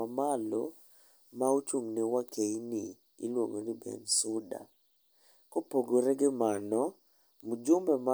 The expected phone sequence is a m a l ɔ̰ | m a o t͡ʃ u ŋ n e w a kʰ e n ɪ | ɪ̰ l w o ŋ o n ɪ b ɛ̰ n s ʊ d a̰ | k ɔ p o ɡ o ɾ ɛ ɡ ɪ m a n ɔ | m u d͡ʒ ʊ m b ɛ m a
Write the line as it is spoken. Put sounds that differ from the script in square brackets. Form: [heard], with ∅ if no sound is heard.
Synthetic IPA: a m a l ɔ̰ | m a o t͡ʃ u ŋ n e w a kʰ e n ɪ | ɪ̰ l w o ŋ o n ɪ b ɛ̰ n s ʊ d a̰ | k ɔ p o ɡ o ɾ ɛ ɡ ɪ m a n ɔ | m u d͡ʒ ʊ m b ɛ m a